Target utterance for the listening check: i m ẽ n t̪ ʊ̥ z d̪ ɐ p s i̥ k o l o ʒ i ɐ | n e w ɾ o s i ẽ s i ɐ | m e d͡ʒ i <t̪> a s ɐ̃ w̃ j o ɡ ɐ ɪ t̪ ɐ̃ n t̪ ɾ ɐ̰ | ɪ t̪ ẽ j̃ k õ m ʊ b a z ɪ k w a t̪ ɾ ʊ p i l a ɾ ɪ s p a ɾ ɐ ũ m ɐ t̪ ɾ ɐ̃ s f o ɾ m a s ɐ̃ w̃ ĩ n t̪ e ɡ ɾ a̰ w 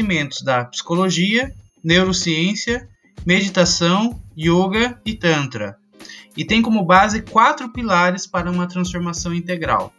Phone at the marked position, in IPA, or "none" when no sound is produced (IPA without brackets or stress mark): t̪